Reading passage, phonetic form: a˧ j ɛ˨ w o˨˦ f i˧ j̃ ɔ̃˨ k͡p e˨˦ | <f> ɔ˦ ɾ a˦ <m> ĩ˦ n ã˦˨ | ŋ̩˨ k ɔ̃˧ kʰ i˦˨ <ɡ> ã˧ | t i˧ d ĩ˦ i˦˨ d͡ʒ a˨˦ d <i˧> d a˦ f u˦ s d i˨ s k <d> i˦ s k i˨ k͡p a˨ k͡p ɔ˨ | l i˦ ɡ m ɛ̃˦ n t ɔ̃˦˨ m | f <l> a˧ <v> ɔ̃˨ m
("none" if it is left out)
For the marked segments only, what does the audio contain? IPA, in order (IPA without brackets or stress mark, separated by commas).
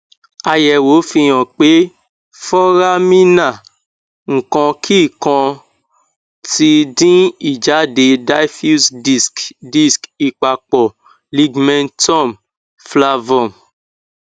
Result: f, m, k, e˧, d, l, v